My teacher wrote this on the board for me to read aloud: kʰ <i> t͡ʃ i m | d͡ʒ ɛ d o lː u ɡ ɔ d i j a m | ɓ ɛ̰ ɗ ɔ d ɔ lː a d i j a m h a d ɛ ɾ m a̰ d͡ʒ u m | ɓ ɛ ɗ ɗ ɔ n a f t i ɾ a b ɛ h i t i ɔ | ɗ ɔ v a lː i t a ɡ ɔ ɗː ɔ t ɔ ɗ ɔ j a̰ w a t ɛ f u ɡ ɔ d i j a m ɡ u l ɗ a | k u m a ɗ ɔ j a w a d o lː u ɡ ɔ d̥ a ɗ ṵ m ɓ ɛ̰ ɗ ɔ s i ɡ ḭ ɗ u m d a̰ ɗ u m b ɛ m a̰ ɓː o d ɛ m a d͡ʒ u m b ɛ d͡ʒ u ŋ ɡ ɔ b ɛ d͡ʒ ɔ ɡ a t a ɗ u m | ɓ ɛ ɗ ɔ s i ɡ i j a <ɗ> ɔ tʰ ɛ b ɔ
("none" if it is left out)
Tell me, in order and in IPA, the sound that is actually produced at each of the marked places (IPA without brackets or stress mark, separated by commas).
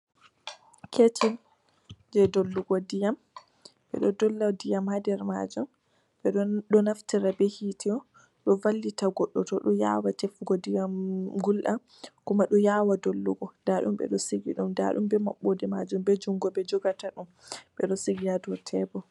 e, d